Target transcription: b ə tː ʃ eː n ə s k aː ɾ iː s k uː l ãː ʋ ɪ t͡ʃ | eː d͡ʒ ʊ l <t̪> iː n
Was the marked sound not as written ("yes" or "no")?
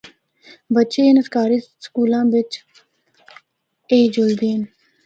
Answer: yes